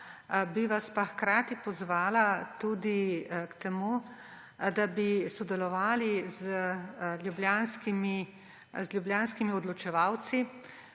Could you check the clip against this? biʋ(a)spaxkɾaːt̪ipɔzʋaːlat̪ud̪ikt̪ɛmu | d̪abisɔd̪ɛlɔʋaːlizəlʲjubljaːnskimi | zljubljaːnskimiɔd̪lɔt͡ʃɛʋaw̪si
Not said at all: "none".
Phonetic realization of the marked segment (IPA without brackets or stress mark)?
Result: a